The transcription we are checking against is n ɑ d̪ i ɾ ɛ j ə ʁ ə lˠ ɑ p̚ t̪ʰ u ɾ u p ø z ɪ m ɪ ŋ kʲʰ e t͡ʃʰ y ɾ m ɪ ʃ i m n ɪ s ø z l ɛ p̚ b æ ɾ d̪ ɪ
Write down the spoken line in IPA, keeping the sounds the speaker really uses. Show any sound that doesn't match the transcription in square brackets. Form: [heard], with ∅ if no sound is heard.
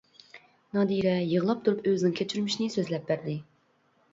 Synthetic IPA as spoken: n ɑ d̪ i ɾ ɛ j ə ʁ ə lˠ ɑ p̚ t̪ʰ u ɾ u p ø z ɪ [n] ɪ ŋ kʲʰ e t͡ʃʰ y ɾ m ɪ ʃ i [∅] n ɪ s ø z l ɛ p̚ b æ ɾ d̪ ɪ

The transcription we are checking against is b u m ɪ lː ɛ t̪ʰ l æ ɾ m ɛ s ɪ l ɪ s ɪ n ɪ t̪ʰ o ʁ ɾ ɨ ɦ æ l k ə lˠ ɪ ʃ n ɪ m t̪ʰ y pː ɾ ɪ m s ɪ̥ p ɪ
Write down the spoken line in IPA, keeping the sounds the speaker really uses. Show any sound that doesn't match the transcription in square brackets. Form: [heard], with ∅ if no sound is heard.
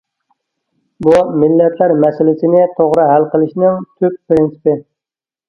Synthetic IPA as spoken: b u m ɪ lː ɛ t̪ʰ l æ ɾ m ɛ s ɪ l ɪ s ɪ n ɪ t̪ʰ o ʁ ɾ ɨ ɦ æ l [q] ə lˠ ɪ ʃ n ɪ [ŋ] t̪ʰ y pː ɾ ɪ [n] s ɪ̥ p ɪ

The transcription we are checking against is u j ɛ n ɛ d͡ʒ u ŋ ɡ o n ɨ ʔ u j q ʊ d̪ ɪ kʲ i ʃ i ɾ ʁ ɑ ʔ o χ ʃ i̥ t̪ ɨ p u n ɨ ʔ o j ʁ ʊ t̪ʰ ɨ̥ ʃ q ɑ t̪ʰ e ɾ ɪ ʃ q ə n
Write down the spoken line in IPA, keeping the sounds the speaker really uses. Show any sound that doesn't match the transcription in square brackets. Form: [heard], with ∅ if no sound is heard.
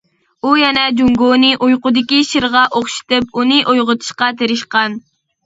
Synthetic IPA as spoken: u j ɛ n ɛ d͡ʒ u ŋ ɡ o n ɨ ʔ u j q ʊ d̪ ɪ kʲ i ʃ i ɾ ʁ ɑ ʔ o χ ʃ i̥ t̪ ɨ p u n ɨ ʔ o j ʁ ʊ t̪ʰ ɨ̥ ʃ q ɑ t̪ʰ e ɾ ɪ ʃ q [ɑ] n

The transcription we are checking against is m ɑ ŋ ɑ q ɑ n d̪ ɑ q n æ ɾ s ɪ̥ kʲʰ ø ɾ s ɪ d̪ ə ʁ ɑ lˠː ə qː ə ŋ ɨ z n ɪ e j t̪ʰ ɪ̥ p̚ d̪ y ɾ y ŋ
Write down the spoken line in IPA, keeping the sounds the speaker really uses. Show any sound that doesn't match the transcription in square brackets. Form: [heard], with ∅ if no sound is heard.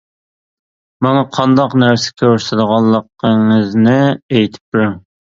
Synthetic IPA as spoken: m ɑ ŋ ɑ [qʰ] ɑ n d̪ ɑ q n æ ɾ s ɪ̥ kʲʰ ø ɾ s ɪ d̪ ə ʁ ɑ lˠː ə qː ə ŋ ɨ z n ɪ e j t̪ʰ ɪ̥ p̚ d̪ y ɾ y ŋ

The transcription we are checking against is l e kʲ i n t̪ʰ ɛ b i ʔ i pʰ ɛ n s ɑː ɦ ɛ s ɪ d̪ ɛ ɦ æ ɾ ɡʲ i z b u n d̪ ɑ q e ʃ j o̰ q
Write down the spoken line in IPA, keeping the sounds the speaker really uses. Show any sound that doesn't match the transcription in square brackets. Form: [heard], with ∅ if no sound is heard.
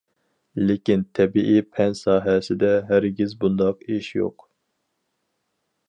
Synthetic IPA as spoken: l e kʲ i n t̪ʰ ɛ b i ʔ i pʰ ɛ n s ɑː ɦ ɛ s ɪ d̪ ɛ ɦ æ ɾ ɡʲ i z b u n d̪ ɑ q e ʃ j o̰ q

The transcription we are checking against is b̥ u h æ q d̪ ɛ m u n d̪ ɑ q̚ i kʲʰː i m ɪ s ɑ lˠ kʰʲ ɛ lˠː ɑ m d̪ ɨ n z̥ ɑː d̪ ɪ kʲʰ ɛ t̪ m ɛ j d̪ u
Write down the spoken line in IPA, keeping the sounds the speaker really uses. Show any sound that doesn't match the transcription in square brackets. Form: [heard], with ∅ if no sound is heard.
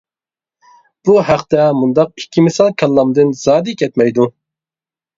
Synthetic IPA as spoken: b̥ u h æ q [t̪] ɛ m u n d̪ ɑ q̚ i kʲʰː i m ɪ s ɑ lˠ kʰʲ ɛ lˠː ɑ m d̪ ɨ n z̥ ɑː d̪ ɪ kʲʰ ɛ t̪ m ɛ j d̪ u

